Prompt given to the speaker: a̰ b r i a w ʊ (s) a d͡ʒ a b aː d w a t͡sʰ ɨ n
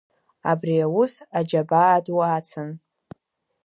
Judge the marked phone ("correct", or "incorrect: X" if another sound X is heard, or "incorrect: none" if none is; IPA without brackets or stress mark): correct